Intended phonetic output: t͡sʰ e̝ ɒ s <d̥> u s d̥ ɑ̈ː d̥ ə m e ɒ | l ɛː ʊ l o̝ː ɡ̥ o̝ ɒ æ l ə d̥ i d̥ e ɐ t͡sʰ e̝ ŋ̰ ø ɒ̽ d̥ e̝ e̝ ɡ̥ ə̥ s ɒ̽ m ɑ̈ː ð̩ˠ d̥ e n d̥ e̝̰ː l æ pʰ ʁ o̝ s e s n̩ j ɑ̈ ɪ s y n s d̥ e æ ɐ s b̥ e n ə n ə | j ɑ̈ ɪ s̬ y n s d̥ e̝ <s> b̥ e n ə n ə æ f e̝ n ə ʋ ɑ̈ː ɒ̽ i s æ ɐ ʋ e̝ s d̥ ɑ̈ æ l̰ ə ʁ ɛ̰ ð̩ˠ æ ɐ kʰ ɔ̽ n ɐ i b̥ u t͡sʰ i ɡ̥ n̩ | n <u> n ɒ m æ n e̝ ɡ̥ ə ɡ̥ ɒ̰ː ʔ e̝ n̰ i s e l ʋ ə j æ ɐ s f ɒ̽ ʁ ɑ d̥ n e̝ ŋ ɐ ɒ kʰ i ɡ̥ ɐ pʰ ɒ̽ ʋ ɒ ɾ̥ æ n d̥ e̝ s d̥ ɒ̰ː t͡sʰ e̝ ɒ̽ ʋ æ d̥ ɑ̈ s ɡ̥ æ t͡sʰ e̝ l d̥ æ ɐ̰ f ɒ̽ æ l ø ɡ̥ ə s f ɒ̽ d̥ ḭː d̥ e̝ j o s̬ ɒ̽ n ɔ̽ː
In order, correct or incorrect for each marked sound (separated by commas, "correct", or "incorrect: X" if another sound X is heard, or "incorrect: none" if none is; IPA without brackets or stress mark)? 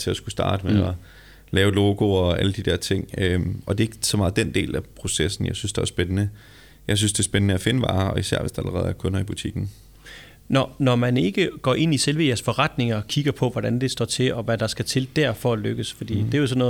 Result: incorrect: ɡ̥, correct, incorrect: ɒ